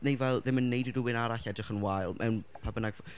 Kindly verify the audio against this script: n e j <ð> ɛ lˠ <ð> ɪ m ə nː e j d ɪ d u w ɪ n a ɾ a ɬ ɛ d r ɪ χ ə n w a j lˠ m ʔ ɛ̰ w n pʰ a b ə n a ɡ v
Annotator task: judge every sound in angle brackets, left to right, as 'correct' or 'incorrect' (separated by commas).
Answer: incorrect, correct